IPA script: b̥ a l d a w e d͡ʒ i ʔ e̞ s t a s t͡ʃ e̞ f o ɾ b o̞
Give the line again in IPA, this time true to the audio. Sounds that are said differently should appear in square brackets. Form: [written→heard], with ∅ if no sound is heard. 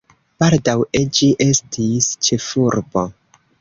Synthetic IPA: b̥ a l d a w e d͡ʒ i ʔ e̞ s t [a→i] s t͡ʃ e̞ f [o→u] ɾ b o̞